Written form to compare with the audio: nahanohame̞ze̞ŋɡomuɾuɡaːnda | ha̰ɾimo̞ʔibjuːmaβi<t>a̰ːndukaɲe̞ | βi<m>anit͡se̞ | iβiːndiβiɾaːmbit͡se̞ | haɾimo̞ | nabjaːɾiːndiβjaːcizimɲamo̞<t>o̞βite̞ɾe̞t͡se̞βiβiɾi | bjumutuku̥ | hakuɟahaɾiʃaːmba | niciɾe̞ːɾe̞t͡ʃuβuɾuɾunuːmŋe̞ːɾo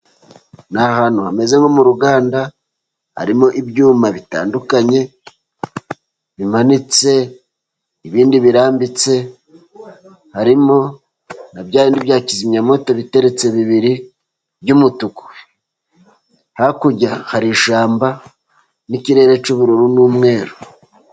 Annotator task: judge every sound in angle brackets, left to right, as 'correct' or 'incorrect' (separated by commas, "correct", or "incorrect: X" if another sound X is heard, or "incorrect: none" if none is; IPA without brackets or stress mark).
correct, correct, correct